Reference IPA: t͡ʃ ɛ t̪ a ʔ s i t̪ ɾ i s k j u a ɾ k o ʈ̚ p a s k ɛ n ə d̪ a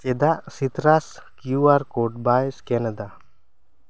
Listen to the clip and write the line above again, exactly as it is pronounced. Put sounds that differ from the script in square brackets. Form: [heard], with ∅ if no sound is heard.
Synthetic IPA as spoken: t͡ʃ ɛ [d̪] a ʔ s i t̪ ɾ [a] s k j u a ɾ k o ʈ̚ [b] a s k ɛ n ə d̪ a